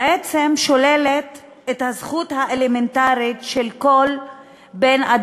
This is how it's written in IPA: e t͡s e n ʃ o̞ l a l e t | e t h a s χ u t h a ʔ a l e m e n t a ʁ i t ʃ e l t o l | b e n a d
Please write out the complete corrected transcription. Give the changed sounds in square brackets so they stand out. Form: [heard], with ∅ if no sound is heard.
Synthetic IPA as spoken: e t͡s e [m] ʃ o̞ l [e] l e t | e t h a [z] χ u t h a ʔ [e] l e m e n t a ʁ i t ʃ e l [k] o l | b e n a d